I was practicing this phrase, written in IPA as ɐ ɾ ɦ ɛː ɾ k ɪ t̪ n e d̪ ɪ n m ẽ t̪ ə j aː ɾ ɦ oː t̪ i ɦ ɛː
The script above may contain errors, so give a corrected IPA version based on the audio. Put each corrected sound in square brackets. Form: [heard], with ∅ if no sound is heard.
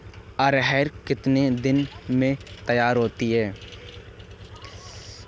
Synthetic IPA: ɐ ɾ ɦ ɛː ɾ k ɪ t̪ n e d̪ ɪ n m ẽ t̪ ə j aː ɾ ɦ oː t̪ i ɦ ɛː